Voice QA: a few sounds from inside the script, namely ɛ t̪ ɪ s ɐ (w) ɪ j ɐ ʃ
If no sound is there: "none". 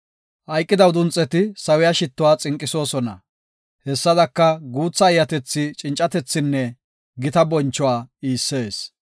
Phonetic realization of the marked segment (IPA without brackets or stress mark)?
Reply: w